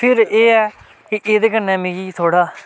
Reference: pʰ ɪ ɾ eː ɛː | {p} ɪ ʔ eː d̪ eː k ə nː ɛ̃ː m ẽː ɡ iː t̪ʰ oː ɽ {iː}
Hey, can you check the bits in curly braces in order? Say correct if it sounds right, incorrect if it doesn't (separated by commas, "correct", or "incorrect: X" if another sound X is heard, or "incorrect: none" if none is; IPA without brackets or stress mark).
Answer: incorrect: k, incorrect: aː